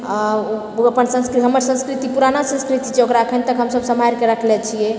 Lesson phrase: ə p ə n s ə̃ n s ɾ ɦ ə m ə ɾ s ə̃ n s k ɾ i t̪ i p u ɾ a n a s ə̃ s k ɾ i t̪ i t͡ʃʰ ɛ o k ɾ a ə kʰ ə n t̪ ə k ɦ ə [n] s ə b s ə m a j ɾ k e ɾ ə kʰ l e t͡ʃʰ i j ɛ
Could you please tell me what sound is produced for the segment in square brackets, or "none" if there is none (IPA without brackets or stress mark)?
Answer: m